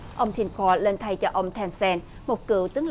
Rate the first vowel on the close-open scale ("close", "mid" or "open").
mid